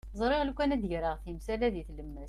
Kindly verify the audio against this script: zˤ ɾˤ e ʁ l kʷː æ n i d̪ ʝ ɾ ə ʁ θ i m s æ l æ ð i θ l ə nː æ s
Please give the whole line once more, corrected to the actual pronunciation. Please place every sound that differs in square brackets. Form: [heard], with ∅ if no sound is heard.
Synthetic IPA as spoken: zˤ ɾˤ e ʁ l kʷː æ n [æ] d̪ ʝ ɾ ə ʁ θ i m s æ l æ ð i θ l ə [mː] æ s